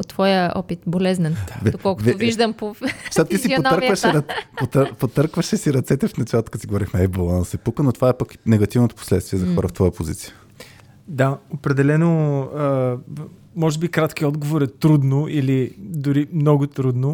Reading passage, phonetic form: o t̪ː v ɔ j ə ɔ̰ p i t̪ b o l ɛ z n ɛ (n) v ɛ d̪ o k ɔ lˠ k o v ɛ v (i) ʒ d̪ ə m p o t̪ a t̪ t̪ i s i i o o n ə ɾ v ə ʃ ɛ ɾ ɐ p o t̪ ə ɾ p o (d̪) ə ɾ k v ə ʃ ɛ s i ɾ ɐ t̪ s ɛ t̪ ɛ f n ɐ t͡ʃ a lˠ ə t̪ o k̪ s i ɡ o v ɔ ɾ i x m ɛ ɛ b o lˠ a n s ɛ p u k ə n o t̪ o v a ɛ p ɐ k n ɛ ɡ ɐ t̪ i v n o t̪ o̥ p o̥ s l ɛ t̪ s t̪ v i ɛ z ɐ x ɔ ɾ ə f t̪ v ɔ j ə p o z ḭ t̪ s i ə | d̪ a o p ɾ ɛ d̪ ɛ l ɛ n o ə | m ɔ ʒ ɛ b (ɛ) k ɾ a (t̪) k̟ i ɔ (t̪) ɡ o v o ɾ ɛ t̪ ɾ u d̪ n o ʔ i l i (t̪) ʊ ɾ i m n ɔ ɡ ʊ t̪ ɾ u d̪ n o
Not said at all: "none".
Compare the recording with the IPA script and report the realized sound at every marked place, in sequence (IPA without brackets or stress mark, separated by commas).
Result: n, i, t̪, i, t̪, d̪, d̪